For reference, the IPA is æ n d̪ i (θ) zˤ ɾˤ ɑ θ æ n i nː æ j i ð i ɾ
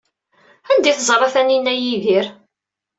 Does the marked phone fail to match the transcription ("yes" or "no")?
no